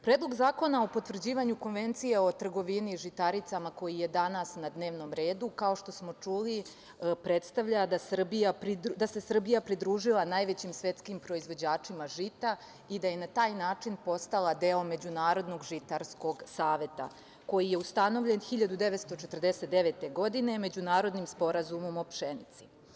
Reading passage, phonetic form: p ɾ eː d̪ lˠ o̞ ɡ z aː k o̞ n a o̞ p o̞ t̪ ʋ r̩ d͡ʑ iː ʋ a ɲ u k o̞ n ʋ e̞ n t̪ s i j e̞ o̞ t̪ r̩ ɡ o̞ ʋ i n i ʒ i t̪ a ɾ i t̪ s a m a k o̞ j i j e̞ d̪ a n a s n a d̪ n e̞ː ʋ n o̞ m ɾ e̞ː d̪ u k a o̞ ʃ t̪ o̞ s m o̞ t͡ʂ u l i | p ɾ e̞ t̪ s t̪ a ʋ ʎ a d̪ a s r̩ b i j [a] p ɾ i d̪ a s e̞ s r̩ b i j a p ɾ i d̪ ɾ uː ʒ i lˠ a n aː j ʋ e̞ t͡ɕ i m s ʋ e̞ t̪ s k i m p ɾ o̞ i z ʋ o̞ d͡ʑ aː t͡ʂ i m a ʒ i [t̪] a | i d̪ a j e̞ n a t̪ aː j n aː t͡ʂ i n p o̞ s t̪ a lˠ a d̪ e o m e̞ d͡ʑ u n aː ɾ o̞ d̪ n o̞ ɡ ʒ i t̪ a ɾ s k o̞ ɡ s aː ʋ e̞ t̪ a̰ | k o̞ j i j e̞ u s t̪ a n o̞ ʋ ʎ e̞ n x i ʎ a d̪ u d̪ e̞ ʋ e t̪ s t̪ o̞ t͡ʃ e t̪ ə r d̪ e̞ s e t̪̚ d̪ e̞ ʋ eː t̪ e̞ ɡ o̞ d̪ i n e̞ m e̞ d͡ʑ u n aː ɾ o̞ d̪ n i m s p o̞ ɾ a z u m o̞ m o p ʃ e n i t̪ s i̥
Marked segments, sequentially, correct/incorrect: correct, correct

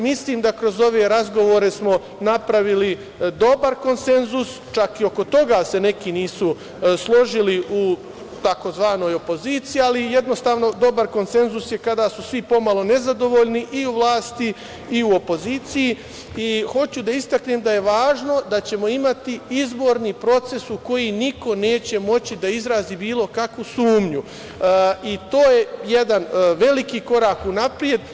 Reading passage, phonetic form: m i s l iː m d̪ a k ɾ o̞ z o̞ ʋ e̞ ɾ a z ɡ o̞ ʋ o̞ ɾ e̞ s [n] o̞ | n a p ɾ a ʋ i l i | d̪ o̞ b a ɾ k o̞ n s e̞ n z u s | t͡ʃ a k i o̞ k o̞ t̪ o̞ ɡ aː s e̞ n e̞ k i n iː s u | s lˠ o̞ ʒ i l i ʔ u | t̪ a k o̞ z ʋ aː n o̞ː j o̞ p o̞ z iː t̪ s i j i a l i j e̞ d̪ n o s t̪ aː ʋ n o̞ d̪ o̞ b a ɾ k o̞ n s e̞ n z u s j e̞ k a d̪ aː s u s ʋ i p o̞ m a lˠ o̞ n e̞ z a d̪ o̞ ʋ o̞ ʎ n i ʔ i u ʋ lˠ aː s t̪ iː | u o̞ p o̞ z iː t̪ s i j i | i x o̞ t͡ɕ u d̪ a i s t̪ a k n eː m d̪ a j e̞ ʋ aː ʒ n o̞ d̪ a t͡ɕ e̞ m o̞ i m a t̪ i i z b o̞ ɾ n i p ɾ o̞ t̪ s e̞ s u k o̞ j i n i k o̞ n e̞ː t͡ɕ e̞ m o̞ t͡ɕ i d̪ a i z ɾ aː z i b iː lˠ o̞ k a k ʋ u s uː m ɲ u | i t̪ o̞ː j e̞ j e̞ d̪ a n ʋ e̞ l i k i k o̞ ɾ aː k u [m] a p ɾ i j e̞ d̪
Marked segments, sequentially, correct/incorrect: incorrect: m, incorrect: n

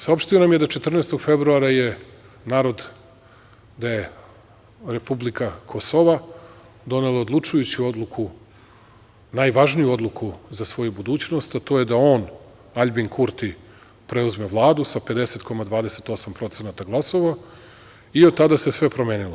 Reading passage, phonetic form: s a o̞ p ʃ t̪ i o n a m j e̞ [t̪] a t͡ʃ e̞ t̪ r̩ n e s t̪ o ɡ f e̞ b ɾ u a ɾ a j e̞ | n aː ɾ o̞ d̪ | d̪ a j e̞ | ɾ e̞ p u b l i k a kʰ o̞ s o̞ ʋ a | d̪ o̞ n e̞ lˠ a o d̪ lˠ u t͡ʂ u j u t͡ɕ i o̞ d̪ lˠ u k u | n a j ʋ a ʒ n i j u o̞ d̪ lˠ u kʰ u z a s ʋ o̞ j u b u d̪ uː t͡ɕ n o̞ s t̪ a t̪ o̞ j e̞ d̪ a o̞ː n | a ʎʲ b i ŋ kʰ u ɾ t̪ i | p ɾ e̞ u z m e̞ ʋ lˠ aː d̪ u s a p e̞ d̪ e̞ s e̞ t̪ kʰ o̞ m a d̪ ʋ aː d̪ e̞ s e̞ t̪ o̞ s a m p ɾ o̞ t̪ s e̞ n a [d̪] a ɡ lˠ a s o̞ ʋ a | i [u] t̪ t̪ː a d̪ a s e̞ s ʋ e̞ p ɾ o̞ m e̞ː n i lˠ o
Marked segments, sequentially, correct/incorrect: incorrect: d̪, incorrect: t̪, incorrect: o

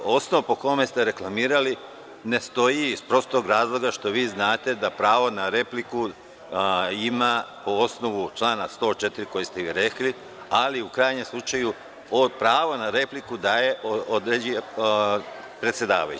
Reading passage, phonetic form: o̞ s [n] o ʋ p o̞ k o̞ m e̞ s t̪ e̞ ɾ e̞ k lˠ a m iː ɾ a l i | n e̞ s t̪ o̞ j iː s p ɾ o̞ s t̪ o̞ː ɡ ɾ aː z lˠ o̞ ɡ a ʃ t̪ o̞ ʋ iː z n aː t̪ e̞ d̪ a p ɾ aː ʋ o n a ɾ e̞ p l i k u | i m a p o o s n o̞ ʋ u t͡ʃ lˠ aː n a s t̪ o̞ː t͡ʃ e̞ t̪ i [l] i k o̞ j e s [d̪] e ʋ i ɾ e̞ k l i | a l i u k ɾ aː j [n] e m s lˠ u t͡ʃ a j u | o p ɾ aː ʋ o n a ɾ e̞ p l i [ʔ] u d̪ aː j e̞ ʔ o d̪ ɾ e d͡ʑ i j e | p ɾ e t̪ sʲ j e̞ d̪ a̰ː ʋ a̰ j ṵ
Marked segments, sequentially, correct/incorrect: correct, incorrect: ɾ, incorrect: t̪, incorrect: ɲ, incorrect: k

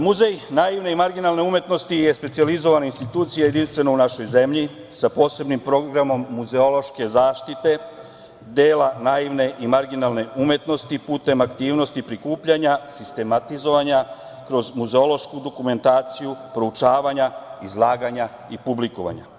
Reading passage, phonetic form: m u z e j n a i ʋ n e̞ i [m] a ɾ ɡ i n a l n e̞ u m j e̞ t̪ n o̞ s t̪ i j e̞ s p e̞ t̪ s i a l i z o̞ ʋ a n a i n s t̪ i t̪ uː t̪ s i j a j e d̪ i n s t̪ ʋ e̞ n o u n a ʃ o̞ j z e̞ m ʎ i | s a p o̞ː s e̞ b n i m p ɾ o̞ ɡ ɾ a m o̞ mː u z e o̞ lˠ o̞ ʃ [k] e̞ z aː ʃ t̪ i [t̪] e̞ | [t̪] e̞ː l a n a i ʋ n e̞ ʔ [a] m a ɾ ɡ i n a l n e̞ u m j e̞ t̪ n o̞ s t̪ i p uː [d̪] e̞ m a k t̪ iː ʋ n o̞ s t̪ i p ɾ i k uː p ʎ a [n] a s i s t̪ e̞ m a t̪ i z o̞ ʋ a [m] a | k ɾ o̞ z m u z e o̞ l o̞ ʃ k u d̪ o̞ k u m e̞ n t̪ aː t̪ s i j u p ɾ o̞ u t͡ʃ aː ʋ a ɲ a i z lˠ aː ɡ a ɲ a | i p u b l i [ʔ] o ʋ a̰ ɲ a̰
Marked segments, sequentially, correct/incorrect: correct, correct, correct, incorrect: d̪, incorrect: i, incorrect: t̪, incorrect: ɲ, incorrect: ɲ, incorrect: k

